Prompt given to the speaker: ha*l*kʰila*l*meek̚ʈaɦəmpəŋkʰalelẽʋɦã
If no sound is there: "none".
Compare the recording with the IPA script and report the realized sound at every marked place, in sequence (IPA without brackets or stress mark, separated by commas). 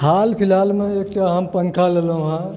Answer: l, l